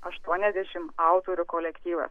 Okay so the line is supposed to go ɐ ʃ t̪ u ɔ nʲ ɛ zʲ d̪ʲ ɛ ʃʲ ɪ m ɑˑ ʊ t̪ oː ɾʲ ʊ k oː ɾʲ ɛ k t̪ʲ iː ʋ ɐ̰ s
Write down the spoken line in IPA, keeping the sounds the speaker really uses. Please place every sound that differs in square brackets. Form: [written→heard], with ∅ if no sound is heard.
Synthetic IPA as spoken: ɐ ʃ t̪ u ɔ nʲ ɛ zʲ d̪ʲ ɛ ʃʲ ɪ m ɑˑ ʊ t̪ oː ɾʲ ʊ k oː [ɾʲ→lʲ] ɛ k t̪ʲ iː ʋ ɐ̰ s